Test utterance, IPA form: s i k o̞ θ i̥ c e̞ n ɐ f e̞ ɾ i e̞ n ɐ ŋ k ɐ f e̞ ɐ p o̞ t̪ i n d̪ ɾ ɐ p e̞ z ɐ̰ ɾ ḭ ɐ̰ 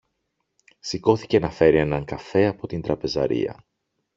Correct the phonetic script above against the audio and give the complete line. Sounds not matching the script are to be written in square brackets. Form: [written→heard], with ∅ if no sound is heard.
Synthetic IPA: s i k o̞ θ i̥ c e̞ n ɐ f e̞ ɾ i e̞ n ɐ ŋ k ɐ f e̞ ɐ p o̞ t̪ i n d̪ ɾ ɐ p e̞ z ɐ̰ ɾ ḭ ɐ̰